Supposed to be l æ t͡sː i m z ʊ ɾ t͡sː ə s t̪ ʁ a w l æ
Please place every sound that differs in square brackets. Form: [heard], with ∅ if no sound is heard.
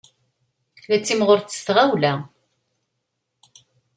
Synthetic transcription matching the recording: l æ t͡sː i m [ʁ] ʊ ɾ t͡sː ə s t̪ ʁ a w l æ